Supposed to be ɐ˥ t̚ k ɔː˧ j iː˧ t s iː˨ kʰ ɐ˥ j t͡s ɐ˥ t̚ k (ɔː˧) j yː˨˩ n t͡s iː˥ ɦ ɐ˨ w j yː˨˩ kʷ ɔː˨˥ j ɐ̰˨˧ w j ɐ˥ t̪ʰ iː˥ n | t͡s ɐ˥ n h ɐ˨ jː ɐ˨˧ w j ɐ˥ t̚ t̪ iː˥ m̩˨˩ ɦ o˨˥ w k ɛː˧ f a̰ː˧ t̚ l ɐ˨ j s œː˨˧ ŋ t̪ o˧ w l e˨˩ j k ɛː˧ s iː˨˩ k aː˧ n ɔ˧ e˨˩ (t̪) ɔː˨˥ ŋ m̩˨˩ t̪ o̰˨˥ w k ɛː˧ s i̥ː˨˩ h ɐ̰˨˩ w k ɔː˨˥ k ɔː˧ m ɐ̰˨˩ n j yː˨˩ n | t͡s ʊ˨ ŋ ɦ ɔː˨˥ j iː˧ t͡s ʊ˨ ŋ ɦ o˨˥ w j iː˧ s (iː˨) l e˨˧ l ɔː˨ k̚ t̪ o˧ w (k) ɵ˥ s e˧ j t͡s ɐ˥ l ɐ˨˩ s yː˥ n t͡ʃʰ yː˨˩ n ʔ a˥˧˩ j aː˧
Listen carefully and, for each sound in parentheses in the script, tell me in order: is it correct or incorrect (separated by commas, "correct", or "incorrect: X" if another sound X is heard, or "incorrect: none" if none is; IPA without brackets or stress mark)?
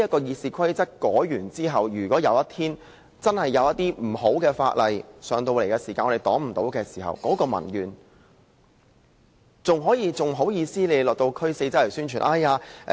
incorrect: ɔː˨˥, correct, incorrect: iː˥, incorrect: kʰ